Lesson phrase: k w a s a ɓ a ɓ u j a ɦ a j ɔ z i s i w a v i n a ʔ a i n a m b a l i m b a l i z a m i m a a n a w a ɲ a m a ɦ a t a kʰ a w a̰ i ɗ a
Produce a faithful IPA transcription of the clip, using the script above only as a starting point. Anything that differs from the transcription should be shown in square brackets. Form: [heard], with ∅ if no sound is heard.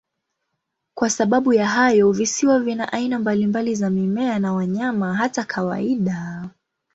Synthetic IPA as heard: k w a s a ɓ a ɓ u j a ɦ a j ɔ [v] i s i w a v i n a ʔ a i n a m b a l i m b a l i z a m i m [ɛ] a n a w a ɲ a m a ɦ a t a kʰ a w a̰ i ɗ a